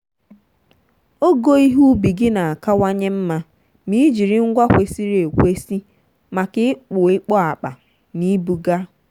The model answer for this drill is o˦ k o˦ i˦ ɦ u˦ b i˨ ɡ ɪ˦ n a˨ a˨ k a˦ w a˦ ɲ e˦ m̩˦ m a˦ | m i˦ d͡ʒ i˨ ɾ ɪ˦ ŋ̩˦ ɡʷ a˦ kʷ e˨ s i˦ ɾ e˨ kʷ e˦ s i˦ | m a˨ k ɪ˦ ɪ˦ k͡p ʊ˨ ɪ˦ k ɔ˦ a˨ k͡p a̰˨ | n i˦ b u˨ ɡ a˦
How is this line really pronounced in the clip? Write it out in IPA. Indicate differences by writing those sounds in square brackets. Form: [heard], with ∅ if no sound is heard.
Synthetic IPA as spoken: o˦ [ɡ] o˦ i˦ ɦ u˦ b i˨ ɡ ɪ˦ n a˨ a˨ k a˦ w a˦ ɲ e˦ m̩˦ m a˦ | m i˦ d͡ʒ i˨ ɾ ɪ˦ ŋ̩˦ ɡʷ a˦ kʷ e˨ s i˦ ɾ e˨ kʷ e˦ s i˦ | m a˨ k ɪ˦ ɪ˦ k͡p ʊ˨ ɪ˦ [k͡p] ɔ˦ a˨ k͡p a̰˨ | n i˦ b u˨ ɡ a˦